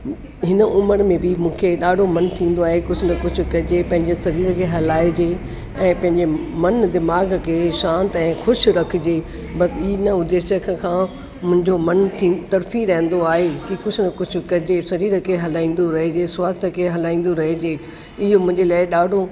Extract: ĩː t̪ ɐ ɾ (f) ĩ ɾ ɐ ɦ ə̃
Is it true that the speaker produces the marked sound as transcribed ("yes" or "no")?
yes